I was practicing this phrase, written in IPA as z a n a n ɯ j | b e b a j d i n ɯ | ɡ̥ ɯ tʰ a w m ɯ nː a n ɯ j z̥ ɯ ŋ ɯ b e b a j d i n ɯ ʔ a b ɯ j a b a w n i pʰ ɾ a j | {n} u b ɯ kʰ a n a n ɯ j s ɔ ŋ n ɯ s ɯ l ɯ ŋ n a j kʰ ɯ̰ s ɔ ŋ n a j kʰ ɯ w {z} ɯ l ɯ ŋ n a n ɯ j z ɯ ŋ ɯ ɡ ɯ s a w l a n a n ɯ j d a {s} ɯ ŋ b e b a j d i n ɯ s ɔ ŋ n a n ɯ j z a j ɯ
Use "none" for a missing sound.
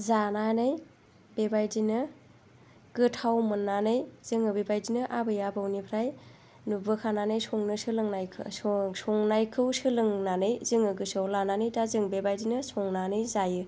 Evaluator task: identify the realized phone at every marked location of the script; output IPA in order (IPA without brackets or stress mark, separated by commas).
n, s, z